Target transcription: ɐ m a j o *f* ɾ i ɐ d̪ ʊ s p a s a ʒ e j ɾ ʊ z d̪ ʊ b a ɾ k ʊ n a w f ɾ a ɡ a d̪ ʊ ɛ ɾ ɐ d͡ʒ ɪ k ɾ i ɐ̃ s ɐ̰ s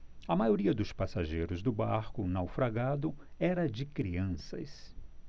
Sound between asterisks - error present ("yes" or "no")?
yes